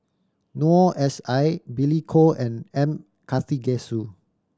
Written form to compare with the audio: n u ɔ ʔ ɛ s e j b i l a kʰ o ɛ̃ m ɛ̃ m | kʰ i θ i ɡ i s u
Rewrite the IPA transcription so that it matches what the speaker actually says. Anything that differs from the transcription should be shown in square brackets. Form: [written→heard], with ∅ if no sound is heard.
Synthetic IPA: n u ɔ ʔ ɛ s [e→a] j b i l [a→i] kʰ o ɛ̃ [m→n] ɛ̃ m | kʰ [i→a] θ i ɡ [i→ɛ] s u